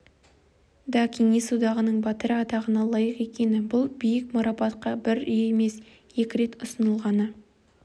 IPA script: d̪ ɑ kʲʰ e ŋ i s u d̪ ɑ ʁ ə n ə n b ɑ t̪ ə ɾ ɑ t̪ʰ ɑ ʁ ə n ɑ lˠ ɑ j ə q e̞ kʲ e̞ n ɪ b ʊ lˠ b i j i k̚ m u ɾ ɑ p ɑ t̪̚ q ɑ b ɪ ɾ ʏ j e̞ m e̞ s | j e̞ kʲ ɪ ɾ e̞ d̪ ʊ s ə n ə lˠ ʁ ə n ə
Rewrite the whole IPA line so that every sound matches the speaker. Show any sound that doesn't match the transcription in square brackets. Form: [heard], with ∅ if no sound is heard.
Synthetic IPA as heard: d̪ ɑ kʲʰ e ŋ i s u d̪ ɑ ʁ ə n ə [ɴ] b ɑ t̪ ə ɾ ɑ [t̪] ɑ ʁ ə n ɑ lˠ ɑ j ə q e̞ kʲ e̞ n ɪ b ʊ lˠ b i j [ɪ] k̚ m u ɾ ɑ p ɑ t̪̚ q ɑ b ɪ ɾ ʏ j e̞ m e̞ s | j e̞ kʲ ɪ ɾ e̞ [t̪] ʊ s ə n ə lˠ ʁ [ɑ] n ə